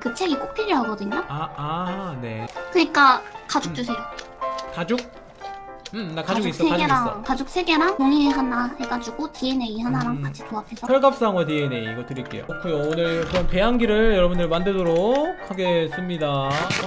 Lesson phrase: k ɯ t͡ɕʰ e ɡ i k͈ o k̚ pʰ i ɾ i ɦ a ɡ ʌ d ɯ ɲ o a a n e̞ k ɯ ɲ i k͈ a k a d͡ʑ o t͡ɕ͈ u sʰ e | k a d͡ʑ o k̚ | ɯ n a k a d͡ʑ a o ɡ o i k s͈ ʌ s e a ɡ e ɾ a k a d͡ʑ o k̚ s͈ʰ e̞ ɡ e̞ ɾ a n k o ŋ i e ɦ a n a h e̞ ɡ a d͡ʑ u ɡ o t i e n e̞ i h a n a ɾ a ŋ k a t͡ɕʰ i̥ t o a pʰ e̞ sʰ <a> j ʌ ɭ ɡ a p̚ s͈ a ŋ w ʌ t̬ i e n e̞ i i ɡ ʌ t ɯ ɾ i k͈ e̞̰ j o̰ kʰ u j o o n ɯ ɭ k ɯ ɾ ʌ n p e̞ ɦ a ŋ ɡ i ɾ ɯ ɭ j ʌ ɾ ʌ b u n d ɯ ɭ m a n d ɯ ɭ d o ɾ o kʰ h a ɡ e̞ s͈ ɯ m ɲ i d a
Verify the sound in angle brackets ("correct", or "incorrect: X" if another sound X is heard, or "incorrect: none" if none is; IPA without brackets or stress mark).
incorrect: ʌ